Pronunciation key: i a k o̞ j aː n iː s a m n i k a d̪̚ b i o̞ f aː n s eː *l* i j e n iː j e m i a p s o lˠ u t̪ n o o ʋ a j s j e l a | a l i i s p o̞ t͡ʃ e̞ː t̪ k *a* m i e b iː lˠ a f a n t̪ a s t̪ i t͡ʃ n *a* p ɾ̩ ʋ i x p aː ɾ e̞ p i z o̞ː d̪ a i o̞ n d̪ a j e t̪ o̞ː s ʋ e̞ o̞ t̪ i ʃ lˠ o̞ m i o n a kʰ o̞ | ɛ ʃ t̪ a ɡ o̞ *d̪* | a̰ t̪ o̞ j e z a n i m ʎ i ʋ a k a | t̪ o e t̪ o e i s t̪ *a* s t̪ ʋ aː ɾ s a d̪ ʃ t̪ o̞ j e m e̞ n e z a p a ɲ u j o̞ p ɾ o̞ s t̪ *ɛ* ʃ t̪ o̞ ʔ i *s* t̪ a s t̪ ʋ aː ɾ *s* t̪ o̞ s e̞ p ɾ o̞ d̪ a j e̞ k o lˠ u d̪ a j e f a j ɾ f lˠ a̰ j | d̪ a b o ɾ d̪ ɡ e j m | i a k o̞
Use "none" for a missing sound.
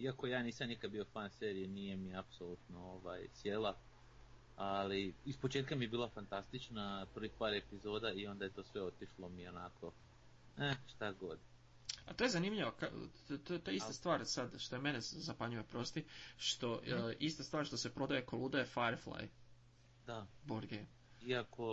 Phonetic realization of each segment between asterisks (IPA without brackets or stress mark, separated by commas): ɾ, a, a, d̪, a, i, s, ʃ